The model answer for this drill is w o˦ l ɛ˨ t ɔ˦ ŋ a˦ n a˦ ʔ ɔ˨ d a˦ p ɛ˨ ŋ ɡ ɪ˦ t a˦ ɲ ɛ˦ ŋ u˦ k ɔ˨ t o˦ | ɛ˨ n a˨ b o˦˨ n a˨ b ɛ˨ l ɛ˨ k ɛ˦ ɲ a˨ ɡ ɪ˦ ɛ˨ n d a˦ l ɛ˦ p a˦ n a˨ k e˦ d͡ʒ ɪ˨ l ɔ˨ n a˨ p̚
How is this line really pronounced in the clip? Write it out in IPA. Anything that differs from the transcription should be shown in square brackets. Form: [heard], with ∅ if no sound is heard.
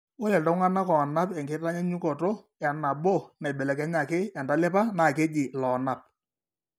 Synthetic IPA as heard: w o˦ l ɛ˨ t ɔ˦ ŋ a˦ n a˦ [k] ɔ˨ [n] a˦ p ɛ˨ ŋ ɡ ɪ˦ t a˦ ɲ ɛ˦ [ɲ] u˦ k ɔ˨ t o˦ | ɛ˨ n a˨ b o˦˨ n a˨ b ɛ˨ l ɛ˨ k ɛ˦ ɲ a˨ [k] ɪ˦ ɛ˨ n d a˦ l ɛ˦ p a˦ n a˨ k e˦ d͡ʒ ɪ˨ l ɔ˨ n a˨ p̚

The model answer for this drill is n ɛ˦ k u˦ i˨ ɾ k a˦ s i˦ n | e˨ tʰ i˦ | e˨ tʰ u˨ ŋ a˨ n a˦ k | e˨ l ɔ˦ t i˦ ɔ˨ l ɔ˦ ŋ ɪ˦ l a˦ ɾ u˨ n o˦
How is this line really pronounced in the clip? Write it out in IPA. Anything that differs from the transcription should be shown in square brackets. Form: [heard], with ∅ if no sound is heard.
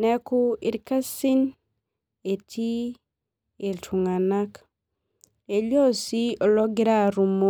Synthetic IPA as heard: n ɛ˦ k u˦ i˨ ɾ k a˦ s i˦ n | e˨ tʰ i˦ | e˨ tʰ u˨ ŋ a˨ n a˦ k | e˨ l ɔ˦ [s] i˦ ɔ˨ l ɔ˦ [ɡ] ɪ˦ [ɾ] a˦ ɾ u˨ [m] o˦

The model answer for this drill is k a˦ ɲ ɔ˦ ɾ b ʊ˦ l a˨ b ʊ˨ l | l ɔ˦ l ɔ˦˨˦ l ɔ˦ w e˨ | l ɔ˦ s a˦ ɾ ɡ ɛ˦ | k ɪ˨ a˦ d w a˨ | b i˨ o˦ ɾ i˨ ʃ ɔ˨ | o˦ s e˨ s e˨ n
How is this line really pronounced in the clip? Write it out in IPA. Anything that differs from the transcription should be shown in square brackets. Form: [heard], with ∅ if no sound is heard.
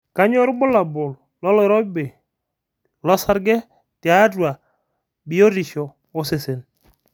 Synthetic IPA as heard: k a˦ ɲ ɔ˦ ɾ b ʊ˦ l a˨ b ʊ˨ l | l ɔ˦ l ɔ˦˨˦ [ɾ] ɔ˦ [b] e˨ | l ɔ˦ s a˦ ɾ ɡ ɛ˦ | [t] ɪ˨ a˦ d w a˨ | b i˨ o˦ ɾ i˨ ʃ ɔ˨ | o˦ s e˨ s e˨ n

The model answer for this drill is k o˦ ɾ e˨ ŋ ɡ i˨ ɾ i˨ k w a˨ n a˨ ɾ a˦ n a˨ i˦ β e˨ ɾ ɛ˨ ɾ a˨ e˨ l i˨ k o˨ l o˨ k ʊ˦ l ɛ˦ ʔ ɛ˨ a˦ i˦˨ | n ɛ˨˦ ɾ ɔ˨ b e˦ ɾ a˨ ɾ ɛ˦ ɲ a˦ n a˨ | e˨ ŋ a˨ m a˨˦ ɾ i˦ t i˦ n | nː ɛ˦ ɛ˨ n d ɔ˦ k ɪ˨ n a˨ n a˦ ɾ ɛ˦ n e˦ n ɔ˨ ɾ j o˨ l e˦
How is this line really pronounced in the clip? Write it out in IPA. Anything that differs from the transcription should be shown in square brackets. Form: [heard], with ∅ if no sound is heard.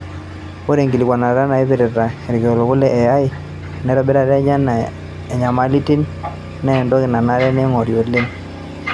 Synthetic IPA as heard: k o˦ ɾ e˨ ŋ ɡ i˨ [l] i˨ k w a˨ n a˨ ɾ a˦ n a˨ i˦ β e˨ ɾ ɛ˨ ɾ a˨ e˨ [ɾ] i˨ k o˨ l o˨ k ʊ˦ l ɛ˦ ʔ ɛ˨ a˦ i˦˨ | n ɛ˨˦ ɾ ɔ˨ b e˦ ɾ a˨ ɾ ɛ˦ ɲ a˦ n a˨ | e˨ [ɲ] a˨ m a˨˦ [l] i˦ t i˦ n | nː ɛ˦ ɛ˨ n d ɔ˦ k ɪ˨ n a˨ n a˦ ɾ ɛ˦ n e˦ [ŋ] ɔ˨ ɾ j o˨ l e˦

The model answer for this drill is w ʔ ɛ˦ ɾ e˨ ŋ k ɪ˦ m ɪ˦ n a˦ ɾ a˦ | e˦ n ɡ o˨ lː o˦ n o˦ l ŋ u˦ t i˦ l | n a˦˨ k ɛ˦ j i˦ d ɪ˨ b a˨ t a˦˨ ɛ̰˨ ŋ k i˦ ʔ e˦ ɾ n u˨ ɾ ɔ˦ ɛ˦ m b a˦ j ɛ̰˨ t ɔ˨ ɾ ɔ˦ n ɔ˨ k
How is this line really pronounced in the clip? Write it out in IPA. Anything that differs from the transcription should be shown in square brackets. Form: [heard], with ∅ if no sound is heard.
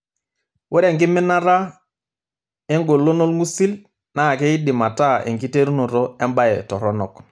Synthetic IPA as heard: w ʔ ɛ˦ ɾ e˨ ŋ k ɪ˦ m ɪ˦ n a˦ ɾ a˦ | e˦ [ŋ] ɡ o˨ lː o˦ n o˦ l ŋ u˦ [s] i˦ l | n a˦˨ k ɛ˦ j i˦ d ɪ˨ [m] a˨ t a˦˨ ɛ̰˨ ŋ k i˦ [t] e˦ ɾ n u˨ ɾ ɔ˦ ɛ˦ m b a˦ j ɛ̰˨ t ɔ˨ ɾ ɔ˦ n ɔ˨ k

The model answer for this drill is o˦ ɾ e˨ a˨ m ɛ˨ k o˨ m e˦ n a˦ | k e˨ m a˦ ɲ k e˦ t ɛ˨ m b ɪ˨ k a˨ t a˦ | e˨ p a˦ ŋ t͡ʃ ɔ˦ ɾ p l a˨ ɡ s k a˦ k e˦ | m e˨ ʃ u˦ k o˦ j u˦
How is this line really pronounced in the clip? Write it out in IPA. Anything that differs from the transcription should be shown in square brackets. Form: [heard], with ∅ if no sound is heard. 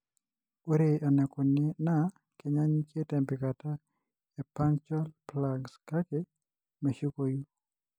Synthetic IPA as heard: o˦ ɾ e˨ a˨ [n] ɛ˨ k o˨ [n] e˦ n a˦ | k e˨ [ɲ] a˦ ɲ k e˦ t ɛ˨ m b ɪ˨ k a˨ t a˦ | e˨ p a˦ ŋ t͡ʃ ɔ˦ [l] p l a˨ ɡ s k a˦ k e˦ | m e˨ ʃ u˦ k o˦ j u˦

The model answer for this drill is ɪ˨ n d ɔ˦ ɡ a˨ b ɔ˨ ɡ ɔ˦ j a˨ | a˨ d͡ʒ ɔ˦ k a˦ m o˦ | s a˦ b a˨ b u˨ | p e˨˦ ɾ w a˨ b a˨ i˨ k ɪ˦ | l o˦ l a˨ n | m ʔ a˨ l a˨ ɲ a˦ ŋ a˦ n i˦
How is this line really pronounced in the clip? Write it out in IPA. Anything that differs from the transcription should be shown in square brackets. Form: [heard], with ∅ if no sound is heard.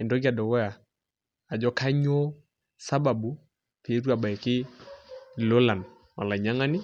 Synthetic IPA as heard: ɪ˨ n d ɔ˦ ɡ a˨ [d] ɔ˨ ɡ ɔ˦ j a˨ | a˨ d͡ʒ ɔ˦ k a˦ [ɲ] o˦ | s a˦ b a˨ b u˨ | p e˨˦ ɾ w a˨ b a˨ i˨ k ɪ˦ | l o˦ l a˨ n | m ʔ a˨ l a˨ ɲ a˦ ŋ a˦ n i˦

